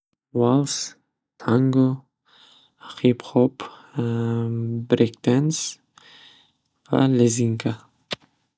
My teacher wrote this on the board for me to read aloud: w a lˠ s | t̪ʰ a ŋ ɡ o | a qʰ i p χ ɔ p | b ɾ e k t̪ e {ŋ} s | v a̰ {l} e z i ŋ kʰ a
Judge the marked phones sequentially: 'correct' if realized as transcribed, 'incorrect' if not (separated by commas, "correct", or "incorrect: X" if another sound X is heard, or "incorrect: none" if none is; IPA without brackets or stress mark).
incorrect: n, correct